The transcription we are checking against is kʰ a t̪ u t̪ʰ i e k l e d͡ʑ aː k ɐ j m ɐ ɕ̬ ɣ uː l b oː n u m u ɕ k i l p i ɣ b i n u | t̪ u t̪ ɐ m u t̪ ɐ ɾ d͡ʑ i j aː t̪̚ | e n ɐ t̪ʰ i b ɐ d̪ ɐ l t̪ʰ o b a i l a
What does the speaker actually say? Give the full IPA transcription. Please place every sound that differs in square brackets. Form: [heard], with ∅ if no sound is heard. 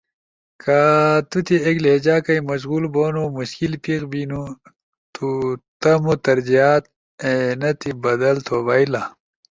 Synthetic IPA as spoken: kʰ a t̪ u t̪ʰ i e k l e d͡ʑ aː k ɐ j m ɐ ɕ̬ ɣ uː l b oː n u m u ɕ k i l p i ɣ b i n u | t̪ u t̪ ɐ m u t̪ ɐ ɾ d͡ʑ i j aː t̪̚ | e n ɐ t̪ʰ i b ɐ d̪ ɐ l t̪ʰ o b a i l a